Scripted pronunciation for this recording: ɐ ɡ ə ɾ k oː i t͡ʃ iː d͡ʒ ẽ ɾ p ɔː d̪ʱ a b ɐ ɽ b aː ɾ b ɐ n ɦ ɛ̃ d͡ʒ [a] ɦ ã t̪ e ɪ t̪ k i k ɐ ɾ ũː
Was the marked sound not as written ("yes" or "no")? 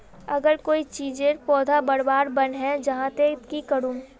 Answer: yes